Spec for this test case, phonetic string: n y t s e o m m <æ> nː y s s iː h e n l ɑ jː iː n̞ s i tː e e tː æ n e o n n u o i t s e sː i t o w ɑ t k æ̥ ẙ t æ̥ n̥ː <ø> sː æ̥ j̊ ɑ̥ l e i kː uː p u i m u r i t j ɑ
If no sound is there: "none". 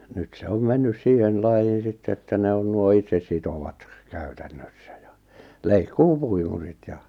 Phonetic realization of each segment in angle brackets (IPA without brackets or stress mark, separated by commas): e, ø